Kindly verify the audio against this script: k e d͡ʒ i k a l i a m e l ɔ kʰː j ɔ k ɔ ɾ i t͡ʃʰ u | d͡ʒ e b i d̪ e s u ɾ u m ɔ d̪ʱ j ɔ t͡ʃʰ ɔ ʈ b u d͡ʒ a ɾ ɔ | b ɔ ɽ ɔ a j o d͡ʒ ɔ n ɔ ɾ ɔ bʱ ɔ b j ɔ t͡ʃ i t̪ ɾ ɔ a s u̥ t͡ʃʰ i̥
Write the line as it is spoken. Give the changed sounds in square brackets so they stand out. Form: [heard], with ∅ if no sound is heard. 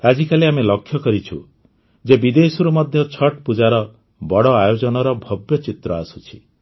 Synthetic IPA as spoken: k [a] d͡ʒ i k a l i a m e l ɔ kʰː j ɔ k ɔ ɾ i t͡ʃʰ u | d͡ʒ e b i d̪ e s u ɾ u m ɔ d̪ʱ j ɔ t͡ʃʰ ɔ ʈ [p] u d͡ʒ a ɾ ɔ | b ɔ ɽ ɔ a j o d͡ʒ ɔ n ɔ ɾ ɔ bʱ ɔ b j ɔ t͡ʃ i t̪ ɾ ɔ a s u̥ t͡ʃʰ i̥